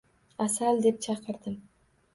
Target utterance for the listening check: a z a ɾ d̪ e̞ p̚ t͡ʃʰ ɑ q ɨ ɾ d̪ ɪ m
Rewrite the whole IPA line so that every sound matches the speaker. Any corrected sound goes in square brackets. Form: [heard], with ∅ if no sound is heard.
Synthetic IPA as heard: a [s] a [l] d̪ e̞ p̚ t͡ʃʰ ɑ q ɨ ɾ d̪ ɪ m